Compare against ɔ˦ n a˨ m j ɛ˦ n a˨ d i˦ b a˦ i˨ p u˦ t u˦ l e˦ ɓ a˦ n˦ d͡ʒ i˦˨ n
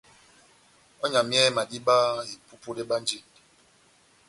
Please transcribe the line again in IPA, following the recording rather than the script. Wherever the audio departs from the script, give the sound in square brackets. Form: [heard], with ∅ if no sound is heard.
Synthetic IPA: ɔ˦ [ɲ] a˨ m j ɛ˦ [m] a˨ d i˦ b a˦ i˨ p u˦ [p] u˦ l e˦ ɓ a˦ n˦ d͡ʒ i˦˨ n